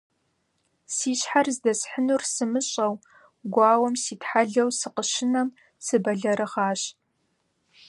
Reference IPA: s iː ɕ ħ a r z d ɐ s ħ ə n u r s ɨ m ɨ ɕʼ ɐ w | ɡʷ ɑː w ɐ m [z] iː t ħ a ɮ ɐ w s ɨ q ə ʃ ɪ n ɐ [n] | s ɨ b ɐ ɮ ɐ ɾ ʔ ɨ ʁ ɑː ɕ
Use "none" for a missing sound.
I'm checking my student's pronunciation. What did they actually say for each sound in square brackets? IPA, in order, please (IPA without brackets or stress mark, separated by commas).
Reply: s, m